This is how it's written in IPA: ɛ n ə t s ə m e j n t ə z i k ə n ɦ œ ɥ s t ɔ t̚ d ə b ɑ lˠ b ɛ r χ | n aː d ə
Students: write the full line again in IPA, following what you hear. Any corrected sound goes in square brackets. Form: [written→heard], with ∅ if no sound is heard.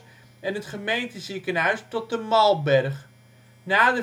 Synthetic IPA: ɛ n ə t [s→χ] ə m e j n t ə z i k ə n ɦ œ ɥ s t ɔ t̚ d ə [b→m] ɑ lˠ b ɛ r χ | n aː d ə